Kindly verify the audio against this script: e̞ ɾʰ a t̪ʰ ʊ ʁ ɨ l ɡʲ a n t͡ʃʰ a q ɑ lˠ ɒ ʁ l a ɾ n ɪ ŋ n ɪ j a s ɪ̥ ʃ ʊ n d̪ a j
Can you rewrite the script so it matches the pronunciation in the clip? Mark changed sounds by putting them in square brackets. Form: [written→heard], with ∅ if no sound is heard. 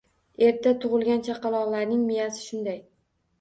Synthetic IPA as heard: e̞ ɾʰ a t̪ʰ ʊ ʁ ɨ l ɡʲ a n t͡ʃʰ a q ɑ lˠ ɒ ʁ l a ɾ n ɪ ŋ [n→m] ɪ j a s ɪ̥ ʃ ʊ n d̪ a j